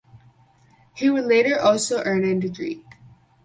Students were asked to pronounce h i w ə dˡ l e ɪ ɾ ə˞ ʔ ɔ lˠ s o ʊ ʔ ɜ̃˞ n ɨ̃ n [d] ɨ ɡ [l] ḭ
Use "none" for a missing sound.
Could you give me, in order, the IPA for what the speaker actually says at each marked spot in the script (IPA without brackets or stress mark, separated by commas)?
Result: d, ɹ